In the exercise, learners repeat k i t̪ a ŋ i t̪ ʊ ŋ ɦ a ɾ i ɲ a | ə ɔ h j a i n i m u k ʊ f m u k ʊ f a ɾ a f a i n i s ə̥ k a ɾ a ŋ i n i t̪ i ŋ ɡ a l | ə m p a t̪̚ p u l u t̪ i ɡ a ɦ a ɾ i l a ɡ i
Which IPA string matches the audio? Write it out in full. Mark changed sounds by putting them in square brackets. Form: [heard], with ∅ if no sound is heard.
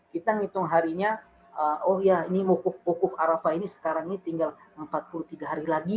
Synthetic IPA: k i t̪ a ŋ i t̪ ʊ ŋ ɦ a ɾ i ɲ a | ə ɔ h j a i n i m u k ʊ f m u k ʊ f a ɾ a f a i n i s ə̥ k a ɾ a ŋ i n i t̪ i ŋ ɡ a l | ə m p a t̪̚ p u l u t̪ i ɡ a ɦ a ɾ i l a ɡ i